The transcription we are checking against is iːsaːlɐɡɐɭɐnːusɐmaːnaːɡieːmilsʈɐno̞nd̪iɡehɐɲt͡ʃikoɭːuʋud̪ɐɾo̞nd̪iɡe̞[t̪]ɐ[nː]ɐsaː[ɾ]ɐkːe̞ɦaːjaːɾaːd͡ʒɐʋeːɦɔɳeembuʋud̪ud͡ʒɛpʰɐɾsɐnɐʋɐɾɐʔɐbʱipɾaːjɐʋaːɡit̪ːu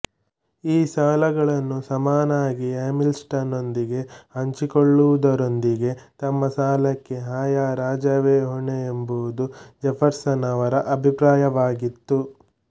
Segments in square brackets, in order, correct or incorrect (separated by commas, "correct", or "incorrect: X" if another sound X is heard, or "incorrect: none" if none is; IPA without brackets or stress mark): correct, incorrect: mː, incorrect: l